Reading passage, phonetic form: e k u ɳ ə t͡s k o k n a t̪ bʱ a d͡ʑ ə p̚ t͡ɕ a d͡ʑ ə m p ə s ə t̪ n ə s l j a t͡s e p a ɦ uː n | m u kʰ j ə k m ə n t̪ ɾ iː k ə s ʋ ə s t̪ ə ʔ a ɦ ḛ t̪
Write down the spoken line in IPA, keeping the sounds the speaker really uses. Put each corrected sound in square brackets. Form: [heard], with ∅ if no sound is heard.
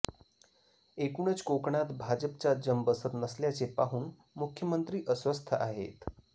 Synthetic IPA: e k u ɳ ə t͡s k o k [ɳ] a t̪ bʱ a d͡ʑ ə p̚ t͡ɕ a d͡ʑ ə m [b] ə s ə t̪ n ə s l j a t͡s e p a ɦ uː n | m u kʰ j ə [∅] m ə n t̪ ɾ iː [ʔ] ə s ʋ ə s [t̪ʰ] ə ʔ a ɦ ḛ t̪